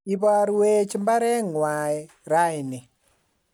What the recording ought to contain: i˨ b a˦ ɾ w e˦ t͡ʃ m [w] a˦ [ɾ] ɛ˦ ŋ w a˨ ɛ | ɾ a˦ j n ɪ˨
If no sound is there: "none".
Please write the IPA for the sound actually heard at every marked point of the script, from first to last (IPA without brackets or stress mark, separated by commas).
b, ɾ